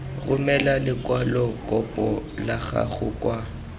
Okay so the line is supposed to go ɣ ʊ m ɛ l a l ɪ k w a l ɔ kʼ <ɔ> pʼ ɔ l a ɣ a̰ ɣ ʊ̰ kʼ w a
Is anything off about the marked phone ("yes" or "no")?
no